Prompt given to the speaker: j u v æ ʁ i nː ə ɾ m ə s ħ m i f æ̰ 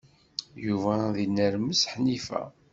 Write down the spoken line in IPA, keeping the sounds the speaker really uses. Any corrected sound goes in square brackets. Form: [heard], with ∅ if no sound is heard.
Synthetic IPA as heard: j u v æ [ð] i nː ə ɾ m ə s ħ [n] i f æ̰